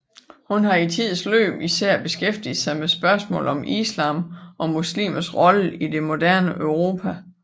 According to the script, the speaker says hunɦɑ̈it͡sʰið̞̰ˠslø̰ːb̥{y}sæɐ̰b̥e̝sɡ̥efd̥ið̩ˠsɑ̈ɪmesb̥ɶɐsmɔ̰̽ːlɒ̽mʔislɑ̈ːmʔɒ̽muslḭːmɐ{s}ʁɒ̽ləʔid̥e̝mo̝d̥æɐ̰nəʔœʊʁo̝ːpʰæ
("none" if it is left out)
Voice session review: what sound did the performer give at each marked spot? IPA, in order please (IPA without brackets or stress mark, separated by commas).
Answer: i, s